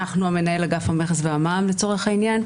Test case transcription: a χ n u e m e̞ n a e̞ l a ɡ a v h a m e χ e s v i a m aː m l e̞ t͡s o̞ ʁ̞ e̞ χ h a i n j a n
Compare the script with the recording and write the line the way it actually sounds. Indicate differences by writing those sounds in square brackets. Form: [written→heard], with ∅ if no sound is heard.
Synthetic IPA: a χ n u [e→a] m e̞ n a e̞ l a ɡ a [v→f] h a m e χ e s v [i→e] a m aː m l e̞ t͡s o̞ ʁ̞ e̞ χ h a i n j a n